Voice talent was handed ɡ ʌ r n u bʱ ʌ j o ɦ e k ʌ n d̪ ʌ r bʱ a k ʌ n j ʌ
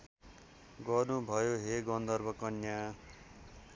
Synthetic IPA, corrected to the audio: ɡ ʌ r n u bʱ ʌ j o ɦ e ɡ ʌ n d̪ ʌ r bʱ ʌ k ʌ n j a